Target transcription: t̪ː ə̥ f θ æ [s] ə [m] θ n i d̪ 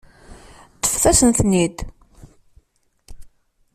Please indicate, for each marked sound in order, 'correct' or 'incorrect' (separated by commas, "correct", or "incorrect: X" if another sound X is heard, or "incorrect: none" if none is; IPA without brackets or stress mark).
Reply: correct, incorrect: n